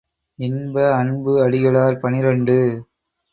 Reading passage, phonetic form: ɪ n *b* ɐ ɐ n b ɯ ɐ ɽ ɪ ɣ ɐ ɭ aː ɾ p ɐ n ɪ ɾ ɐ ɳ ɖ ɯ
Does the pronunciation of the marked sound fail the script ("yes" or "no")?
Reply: no